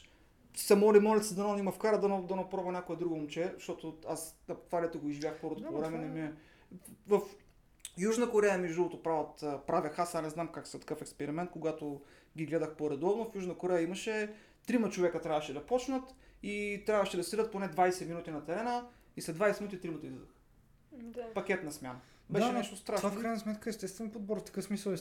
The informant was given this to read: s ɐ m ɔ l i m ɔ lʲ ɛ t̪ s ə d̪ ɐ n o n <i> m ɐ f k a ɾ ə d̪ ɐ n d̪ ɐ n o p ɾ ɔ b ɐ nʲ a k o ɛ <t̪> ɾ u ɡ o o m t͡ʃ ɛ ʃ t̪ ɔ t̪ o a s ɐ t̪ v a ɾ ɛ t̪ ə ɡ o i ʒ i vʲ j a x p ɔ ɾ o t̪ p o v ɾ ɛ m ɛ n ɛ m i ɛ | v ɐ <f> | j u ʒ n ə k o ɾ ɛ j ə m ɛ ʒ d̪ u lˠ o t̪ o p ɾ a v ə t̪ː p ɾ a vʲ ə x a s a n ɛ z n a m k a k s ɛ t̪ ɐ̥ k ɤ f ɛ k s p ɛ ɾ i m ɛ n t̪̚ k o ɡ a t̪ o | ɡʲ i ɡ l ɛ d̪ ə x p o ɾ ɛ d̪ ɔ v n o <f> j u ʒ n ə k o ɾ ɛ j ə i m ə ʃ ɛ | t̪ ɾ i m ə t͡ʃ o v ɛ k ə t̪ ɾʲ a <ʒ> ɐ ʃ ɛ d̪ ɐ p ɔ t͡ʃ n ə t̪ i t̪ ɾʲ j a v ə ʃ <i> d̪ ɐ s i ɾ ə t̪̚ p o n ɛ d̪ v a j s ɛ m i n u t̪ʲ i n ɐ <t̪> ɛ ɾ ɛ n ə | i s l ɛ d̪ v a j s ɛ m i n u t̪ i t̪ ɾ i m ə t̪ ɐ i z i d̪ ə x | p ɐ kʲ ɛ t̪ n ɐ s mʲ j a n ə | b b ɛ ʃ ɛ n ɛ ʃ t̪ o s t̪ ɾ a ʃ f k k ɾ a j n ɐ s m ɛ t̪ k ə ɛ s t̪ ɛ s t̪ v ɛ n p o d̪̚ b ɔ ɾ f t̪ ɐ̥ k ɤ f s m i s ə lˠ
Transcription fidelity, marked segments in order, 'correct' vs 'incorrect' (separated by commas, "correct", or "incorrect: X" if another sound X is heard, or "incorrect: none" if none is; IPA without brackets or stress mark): correct, incorrect: d̪, correct, correct, incorrect: v, incorrect: ɛ, correct